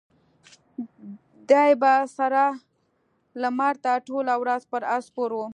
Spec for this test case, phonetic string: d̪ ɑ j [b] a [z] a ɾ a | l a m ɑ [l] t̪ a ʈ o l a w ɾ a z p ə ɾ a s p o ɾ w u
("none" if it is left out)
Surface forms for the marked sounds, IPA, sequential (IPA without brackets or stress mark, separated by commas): b, s, ɾ